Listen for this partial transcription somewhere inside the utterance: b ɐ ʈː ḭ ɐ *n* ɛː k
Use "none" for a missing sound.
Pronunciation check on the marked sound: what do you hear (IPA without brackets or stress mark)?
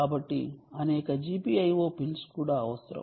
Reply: n